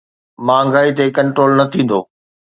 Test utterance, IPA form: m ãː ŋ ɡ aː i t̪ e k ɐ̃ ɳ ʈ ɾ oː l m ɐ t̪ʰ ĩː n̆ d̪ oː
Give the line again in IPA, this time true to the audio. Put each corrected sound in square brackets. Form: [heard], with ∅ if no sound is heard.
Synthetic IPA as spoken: m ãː ŋ ɡ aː i t̪ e k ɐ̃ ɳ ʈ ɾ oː l [n] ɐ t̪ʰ ĩː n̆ d̪ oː